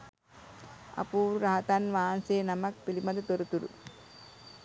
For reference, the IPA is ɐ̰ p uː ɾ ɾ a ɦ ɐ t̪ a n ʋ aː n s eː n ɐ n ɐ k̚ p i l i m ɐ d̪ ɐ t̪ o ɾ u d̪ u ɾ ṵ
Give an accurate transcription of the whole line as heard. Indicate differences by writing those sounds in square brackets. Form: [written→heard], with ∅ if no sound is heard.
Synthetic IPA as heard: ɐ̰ p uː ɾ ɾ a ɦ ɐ t̪ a n ʋ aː n s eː n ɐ [n→m] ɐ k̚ p i l i m ɐ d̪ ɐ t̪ o ɾ u [d̪→t̪] u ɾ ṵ